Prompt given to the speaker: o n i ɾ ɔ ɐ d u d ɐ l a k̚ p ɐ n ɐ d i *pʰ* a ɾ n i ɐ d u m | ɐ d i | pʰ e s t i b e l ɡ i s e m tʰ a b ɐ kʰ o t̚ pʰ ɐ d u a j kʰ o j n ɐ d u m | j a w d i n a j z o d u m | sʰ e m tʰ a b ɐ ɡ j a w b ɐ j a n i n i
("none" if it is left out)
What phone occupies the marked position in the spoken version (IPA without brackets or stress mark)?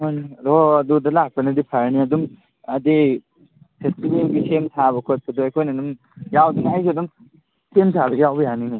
pʰ